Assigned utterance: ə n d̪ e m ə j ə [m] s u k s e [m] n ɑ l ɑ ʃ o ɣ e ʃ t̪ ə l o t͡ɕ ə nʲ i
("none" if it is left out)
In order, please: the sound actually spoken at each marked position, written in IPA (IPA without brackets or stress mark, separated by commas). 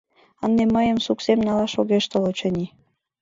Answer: m, m